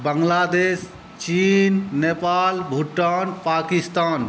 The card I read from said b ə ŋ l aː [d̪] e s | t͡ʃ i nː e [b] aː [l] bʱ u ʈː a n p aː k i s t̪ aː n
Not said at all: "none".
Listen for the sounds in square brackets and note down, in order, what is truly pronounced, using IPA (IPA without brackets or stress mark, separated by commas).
d̪, p, l